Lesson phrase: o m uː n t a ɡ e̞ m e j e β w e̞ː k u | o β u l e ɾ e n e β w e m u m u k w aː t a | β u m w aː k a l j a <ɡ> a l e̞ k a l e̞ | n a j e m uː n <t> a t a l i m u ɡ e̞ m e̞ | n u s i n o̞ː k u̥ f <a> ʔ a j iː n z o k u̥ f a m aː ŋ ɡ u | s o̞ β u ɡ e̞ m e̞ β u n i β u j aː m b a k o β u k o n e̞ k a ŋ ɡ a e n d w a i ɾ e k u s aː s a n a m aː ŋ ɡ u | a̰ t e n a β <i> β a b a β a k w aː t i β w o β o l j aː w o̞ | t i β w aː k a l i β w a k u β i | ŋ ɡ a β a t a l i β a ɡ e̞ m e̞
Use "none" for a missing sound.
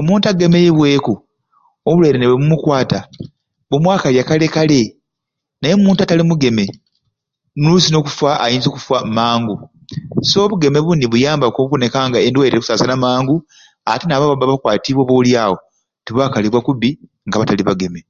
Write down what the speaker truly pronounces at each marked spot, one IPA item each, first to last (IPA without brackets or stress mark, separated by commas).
k, t, a, a